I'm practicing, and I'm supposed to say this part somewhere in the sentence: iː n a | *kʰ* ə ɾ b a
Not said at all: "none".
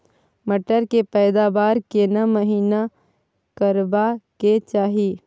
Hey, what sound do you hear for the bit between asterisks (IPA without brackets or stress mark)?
k